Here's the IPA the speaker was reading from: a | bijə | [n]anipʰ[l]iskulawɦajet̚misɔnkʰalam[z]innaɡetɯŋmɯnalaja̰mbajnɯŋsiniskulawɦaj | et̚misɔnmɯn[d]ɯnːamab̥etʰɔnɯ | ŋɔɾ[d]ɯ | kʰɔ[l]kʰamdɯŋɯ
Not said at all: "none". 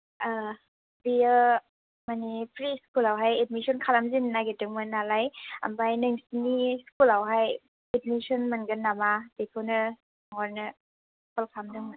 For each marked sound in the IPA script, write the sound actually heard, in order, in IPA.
m, ɾ, z, ɡ, n, l

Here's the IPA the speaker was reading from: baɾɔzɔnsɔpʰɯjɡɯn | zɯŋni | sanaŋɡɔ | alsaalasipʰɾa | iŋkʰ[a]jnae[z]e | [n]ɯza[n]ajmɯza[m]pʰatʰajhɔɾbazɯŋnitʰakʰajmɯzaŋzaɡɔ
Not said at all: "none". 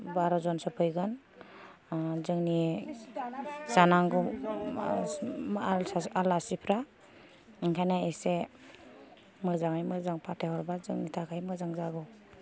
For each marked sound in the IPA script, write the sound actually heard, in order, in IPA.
a, s, m, ŋ, ŋ

